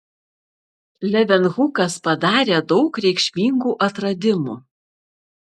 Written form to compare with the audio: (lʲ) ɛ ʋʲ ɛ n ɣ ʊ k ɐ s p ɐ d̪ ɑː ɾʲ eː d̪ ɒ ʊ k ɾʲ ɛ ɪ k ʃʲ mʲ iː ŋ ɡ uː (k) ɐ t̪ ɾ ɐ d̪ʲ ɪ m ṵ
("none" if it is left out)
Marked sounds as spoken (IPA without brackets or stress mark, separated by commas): lʲ, ʔ